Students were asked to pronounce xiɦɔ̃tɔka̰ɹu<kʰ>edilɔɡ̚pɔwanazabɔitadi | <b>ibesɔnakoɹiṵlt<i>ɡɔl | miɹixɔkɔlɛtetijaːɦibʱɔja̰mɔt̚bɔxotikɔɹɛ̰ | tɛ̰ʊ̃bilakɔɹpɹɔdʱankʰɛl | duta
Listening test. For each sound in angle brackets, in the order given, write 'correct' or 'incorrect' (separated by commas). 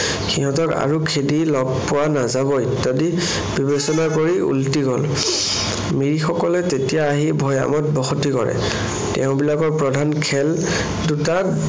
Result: correct, correct, correct